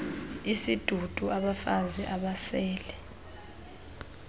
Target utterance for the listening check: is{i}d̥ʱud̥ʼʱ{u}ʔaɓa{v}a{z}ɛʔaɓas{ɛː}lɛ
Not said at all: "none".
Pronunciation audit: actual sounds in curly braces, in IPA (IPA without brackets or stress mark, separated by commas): i, u, f, z, ɛː